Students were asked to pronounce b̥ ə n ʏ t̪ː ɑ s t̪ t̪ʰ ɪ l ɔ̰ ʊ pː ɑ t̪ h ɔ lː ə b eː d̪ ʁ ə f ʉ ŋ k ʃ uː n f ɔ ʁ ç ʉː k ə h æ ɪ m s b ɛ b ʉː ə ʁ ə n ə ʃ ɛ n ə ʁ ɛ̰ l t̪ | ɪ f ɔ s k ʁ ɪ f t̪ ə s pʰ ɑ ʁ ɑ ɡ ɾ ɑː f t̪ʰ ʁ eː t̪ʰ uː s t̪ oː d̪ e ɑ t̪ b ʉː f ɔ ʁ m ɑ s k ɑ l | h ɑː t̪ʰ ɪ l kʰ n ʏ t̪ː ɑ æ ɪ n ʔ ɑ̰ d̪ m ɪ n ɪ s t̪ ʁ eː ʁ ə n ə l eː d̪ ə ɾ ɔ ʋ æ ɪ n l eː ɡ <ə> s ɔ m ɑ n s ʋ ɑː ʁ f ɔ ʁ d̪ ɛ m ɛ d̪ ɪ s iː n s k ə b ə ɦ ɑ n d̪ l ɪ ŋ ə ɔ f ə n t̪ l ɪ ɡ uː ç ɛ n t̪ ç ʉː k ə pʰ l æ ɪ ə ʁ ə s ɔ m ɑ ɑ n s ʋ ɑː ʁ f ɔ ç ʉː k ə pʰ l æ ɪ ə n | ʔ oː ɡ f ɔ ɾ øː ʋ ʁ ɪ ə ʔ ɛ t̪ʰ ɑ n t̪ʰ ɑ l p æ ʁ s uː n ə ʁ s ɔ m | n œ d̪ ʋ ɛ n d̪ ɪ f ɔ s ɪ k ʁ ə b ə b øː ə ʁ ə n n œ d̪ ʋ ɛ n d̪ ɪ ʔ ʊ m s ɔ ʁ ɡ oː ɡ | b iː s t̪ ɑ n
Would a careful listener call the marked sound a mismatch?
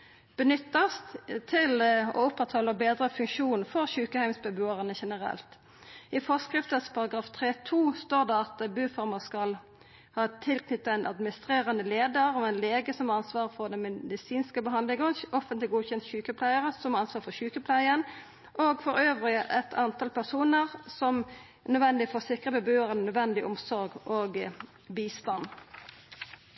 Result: no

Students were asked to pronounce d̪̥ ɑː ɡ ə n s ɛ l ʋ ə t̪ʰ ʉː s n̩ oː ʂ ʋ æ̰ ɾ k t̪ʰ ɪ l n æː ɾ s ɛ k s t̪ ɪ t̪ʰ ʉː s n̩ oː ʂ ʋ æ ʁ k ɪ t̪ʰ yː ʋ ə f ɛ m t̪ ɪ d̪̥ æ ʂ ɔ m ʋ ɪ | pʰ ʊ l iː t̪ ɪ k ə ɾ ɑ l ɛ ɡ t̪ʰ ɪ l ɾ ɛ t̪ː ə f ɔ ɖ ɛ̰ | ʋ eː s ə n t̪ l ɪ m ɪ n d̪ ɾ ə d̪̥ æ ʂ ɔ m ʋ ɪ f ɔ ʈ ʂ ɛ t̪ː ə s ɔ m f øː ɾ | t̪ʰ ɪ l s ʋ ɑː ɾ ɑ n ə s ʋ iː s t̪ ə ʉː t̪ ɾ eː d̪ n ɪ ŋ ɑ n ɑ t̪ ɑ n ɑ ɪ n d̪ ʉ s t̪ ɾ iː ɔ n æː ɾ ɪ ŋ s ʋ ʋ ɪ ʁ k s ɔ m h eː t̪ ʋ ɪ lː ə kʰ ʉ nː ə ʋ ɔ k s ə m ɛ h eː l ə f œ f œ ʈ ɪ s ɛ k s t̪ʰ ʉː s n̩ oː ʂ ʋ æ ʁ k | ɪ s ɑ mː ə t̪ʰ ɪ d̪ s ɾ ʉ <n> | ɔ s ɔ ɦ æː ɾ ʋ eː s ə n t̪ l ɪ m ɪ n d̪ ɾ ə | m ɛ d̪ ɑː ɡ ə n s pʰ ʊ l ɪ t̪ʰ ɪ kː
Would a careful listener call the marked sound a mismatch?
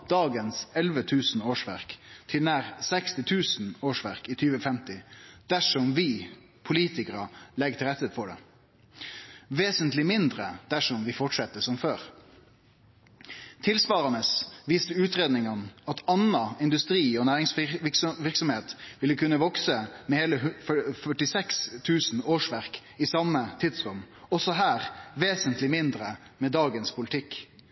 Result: yes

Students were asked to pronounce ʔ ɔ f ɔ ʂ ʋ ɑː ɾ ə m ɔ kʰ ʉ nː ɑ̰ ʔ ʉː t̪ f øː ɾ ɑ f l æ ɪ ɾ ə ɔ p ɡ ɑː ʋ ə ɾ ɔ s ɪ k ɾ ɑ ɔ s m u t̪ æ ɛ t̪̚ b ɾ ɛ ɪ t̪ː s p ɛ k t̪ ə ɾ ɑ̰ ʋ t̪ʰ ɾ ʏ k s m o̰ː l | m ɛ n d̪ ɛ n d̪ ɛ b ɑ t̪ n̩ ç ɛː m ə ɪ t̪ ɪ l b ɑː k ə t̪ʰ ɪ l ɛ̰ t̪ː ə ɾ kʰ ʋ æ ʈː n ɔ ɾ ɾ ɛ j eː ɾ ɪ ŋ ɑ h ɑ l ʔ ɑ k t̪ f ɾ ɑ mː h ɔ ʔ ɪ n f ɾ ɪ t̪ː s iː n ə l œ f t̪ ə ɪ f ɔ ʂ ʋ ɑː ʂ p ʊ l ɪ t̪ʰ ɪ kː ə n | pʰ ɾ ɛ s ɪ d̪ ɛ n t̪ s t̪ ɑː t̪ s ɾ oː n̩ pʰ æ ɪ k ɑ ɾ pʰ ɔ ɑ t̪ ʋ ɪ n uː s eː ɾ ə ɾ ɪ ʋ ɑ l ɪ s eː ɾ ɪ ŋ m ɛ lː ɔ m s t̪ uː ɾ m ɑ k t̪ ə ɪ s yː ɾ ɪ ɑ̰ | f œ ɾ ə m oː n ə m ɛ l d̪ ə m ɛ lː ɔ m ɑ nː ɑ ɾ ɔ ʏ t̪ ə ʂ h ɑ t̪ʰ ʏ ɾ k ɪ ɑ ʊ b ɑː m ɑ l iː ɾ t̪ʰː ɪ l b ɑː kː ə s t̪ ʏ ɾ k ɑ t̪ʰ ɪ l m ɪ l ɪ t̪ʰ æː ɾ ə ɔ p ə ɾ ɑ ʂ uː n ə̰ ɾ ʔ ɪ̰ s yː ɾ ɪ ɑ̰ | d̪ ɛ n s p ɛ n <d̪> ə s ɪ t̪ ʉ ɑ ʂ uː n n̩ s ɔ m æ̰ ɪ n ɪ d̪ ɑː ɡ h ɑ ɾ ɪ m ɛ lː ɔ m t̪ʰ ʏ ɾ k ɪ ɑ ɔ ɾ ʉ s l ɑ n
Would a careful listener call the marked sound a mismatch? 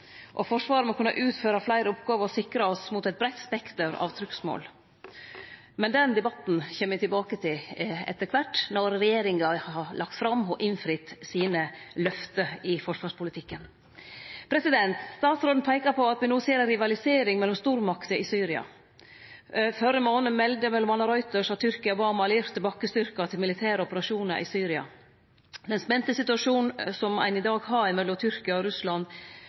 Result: yes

